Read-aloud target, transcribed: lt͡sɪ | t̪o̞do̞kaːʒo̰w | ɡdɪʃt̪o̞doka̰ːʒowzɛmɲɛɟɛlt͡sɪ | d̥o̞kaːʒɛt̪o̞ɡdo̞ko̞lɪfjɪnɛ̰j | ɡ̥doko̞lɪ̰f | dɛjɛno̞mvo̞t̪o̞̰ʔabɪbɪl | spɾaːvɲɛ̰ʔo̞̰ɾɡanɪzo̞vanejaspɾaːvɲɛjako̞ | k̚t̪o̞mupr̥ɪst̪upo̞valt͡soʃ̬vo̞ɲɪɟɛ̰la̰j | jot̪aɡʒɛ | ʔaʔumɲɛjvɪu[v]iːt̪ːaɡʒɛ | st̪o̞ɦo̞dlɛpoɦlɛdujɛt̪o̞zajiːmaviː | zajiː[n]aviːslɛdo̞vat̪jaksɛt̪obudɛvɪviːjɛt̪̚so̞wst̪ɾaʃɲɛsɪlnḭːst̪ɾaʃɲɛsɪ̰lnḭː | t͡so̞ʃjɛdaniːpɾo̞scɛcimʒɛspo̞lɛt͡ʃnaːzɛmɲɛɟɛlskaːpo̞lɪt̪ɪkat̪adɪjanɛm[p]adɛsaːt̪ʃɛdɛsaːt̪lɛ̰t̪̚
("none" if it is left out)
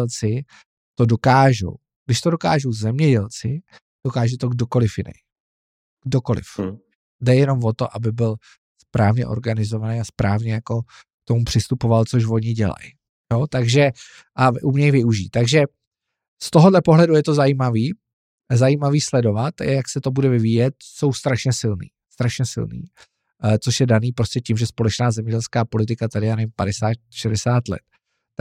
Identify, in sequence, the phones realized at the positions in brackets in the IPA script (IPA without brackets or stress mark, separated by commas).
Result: ʒ, m, p